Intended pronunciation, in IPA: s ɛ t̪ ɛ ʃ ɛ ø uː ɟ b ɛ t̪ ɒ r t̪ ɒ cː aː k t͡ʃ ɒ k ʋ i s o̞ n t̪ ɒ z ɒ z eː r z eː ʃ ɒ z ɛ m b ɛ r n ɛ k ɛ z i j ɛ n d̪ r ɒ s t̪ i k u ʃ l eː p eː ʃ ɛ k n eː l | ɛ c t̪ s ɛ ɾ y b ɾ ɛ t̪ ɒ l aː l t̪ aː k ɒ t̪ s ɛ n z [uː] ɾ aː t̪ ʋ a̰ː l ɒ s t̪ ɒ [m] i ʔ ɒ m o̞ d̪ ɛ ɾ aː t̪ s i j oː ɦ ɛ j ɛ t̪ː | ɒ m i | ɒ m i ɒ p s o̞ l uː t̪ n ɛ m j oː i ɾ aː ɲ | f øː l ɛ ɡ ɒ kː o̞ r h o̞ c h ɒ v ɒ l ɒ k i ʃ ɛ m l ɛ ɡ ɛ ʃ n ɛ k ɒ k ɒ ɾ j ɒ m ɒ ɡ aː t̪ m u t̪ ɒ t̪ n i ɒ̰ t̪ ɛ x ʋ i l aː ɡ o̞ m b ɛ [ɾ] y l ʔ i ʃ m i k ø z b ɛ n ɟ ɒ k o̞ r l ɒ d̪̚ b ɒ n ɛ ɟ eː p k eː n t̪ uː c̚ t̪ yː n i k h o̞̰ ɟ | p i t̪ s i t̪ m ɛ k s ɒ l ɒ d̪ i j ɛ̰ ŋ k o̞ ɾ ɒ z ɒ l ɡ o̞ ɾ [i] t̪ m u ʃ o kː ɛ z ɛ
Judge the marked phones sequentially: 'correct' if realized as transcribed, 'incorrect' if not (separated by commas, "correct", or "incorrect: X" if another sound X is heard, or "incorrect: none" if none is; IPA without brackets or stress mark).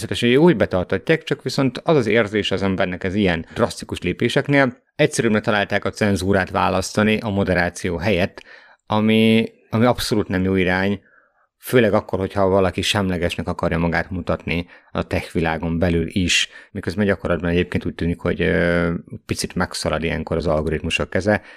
correct, incorrect: n, incorrect: l, correct